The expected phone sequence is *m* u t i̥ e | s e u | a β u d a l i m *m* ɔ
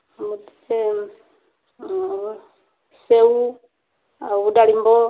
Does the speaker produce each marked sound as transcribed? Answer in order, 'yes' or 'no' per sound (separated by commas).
yes, no